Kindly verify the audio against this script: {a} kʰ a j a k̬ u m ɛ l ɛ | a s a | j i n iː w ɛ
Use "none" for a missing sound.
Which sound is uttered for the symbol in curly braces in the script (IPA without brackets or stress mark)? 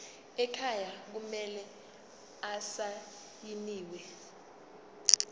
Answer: ɛ